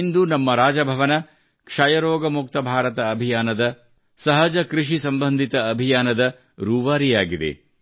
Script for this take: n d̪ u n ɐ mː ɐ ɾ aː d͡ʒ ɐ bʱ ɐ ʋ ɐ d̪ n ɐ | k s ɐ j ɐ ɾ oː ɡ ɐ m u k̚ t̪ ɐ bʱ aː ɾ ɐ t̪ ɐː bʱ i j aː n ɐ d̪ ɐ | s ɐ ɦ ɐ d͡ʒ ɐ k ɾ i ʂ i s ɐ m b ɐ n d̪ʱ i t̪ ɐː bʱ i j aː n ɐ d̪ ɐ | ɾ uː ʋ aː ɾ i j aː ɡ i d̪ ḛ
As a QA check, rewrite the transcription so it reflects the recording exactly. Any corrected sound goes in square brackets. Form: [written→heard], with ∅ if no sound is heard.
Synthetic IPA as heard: n d̪ u n ɐ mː ɐ ɾ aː d͡ʒ ɐ bʱ ɐ ʋ ɐ [d̪→∅] n ɐ | k [s→ʂ] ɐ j ɐ ɾ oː ɡ ɐ m u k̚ t̪ ɐ bʱ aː ɾ ɐ t̪ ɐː bʱ i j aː n ɐ d̪ ɐ | s ɐ ɦ ɐ d͡ʒ ɐ k ɾ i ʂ i s ɐ m b ɐ n d̪ʱ i t̪ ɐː bʱ i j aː n ɐ d̪ ɐ | ɾ uː ʋ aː ɾ i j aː ɡ i d̪ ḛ

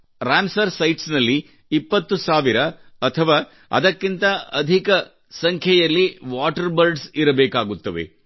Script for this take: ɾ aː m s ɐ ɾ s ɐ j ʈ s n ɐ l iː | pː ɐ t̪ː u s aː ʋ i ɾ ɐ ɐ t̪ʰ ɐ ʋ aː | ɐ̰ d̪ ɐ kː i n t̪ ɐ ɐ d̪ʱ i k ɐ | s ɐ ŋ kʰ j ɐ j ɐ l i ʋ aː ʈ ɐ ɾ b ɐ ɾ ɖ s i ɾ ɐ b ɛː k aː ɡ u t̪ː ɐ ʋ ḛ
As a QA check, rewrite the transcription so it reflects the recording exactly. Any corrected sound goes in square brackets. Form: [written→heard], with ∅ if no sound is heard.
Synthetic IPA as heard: ɾ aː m s ɐ ɾ s ɐ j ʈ s n ɐ [l→lː] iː | pː ɐ t̪ː u s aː ʋ i ɾ ɐ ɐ t̪ʰ ɐ ʋ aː | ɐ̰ d̪ ɐ kː i n t̪ ɐ ɐ d̪ʱ i k ɐ | s ɐ ŋ kʰ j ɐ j ɐ [l→lː] i ʋ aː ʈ ɐ ɾ b ɐ ɾ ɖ s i ɾ ɐ b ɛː k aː ɡ u t̪ː ɐ ʋ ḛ

